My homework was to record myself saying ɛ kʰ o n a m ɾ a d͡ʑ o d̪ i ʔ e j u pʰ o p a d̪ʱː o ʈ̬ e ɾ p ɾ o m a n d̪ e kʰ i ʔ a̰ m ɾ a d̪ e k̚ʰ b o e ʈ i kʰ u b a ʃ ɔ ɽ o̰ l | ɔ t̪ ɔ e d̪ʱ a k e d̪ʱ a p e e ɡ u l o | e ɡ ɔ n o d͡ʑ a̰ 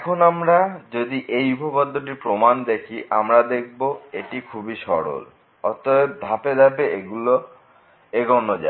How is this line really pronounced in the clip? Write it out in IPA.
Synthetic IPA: ɛ kʰ o n a m ɾ a d͡ʑ o d̪ i ʔ e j u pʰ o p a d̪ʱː o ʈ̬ i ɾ p ɾ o m a n d̪ e kʰ i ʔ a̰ m ɾ a d̪ e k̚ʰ b o e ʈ i kʰ u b i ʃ ɔ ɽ o̰ l | ɔ t̪ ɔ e d̪ʱ a p e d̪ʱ a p e e ɡ u l o | e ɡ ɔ n o d͡ʑ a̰

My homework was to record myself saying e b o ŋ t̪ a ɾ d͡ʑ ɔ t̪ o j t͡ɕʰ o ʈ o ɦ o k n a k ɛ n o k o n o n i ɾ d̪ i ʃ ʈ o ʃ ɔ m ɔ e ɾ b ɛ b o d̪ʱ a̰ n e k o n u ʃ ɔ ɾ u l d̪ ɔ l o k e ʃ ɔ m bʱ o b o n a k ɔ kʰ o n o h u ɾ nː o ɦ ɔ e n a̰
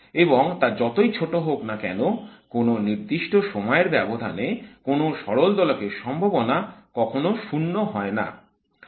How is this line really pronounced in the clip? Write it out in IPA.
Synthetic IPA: e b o ŋ t̪ a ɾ d͡ʑ ɔ t̪ o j t͡ɕʰ o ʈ o ɦ o k n a k ɛ n o k o n o n i ɾ d̪ i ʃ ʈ o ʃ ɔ m ɔ e ɾ b ɛ b o d̪ʱ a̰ n e k o n o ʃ ɔ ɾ o l d̪ ɔ l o k e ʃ ɔ m bʱ o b o n a k ɔ kʰ o n o ʃ u nː o ɦ ɔ e n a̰

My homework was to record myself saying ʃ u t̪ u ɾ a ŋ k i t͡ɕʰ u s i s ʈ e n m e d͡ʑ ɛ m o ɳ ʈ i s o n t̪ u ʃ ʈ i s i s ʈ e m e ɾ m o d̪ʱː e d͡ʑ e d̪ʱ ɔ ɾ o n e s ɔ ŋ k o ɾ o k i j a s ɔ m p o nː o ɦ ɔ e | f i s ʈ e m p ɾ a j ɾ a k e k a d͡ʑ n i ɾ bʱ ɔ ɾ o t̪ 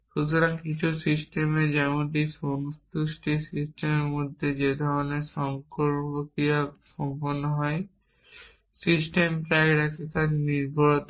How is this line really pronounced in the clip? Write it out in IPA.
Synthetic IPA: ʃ u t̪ u ɾ a ŋ k i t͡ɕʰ u s i s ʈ e m e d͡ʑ ɛ m o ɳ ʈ i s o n t̪ u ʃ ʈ i s i s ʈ e m e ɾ m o d̪ʱː e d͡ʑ e d̪ʱ ɔ ɾ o n e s ɔ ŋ k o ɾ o k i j a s ɔ m p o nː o ɦ ɔ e | s i s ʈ e m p ɾ a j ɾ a k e k a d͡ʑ n i ɾ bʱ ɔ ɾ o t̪

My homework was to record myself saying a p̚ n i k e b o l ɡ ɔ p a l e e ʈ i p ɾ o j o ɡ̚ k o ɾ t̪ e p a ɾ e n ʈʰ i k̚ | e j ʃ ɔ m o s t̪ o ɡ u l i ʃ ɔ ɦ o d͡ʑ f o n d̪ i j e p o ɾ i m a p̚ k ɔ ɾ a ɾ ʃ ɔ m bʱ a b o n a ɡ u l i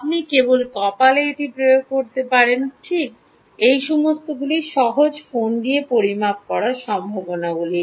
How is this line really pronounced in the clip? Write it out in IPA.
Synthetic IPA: a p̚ n i k e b o l k ɔ p a l e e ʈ i p ɾ o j o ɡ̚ k o ɾ t̪ e p a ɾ e n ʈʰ i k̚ | e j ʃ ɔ m o s t̪ o ɡ u l i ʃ ɔ ɦ o d͡ʑ f o n d̪ i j e p o ɾ i m a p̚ k ɔ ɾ a ɾ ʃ ɔ m bʱ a b o n a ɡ u l i

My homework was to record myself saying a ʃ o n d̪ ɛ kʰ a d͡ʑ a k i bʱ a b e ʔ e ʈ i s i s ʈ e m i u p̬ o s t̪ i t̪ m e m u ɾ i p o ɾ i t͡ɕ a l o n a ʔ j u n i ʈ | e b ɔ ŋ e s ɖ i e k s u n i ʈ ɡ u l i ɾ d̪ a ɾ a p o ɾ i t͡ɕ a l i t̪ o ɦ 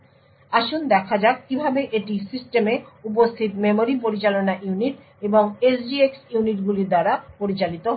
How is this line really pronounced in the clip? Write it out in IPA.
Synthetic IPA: a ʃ o n d̪ ɛ kʰ a d͡ʑ a k i bʱ a b e ʔ e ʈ i s i s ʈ e m e u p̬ o s t̪ʰ i t̪ m e m o ɾ i p o ɾ i t͡ɕ a l o n a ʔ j u n i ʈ | e b o ŋ e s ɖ i e k s u n i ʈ ɡ u l i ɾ d̪ a ɾ a p o ɾ i t͡ɕ a l i t̪ o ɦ

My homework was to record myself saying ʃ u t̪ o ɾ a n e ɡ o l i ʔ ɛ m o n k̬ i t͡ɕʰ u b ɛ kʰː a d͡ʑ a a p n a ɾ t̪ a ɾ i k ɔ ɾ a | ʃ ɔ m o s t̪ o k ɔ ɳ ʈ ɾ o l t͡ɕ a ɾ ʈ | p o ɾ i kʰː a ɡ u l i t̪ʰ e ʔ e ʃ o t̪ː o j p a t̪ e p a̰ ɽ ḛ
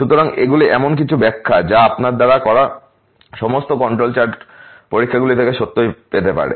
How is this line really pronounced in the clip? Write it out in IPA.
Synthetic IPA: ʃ u t̪ o ɾ a ŋ e ɡ u l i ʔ ɛ m o n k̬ i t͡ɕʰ u b ɛ kʰː a d͡ʑ a a p n a ɾ d̪ a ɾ a k ɔ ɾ a | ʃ ɔ m o s t̪ o k ɔ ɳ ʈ ɾ o l t͡ɕ a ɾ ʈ | p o ɾ i kʰː a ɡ u l i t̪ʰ e k e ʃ o t̪ː o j p e t̪ e p a̰ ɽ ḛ

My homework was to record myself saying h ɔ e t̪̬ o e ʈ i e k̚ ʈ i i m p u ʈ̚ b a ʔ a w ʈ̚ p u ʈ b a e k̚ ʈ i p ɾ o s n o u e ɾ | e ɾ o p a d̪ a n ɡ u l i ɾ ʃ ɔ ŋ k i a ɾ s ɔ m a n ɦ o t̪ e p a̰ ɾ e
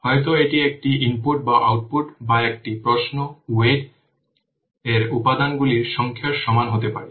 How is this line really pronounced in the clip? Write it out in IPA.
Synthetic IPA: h ɔ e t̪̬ o e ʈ i e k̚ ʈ i i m p u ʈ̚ b a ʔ a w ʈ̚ p u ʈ b a e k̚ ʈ i p ɾ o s n o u e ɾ | e ɾ u p a d̪ a n ɡ u l i ɾ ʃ ɔ ŋ kʰ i a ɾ ʃ ɔ m a n ɦ o t̪ e p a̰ ɾ e

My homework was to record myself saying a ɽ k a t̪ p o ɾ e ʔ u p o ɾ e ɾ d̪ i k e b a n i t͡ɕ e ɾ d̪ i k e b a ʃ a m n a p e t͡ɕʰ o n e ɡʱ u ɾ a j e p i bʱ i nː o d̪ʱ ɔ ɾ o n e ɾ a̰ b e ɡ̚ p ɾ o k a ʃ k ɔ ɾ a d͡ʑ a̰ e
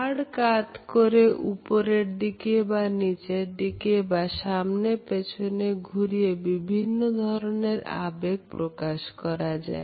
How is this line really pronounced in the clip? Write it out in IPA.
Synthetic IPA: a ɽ k a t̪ k o ɾ e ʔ u p o ɾ e ɾ d̪ i k e b a n i t͡ɕ e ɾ d̪ i k e b a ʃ a m n e p e t͡ɕʰ o n e ɡʱ u ɾ i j e b i bʱ i nː o d̪ʱ ɔ ɾ o n e ɾ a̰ b e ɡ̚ p ɾ o k a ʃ k ɔ ɾ a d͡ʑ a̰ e

